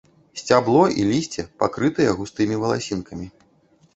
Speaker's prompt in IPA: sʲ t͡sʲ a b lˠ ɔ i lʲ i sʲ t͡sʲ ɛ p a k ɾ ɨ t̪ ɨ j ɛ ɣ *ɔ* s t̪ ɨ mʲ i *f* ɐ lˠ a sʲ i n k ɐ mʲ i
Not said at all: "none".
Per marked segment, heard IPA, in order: u, v

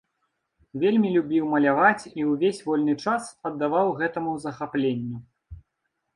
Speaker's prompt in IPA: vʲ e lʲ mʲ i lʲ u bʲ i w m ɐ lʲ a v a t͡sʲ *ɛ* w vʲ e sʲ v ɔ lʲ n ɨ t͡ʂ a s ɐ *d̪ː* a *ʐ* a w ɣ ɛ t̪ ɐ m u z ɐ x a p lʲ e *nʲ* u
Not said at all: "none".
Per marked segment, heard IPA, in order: i, d̪ː, v, nʲː

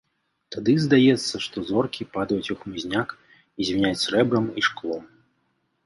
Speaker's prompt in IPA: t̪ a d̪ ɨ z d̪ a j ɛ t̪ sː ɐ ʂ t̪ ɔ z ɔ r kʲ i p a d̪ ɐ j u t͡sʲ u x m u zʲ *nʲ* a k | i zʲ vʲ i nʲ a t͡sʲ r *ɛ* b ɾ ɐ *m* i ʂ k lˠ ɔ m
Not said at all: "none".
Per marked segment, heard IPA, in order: nʲ, ɛ, m

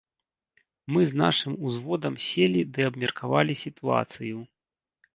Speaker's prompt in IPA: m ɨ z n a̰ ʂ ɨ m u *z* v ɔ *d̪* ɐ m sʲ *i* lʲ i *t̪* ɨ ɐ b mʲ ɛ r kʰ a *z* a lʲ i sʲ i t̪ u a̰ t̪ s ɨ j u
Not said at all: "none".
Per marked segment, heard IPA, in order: z, d̪, e, d̪, v

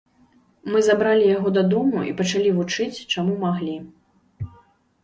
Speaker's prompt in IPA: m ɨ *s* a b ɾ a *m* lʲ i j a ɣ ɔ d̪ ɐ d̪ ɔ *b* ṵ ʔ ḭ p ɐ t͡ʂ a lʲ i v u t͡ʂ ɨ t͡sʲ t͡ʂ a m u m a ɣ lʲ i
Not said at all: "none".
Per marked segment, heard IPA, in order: z, none, m

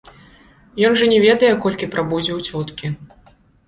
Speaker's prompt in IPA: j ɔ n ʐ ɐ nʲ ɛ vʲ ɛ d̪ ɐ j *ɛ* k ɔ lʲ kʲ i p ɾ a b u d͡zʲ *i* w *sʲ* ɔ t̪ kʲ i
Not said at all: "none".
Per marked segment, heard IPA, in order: ɛ, ɛ, t͡sʲ

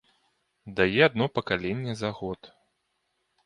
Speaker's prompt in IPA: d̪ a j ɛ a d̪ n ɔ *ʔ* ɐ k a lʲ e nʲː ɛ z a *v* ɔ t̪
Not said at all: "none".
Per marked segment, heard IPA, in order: p, ɣ

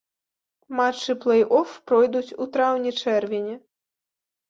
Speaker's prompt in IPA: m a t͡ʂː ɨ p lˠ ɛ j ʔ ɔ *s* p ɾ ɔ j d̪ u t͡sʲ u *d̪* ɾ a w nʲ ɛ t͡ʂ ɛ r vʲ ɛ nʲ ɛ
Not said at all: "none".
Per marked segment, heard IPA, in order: f, t̪

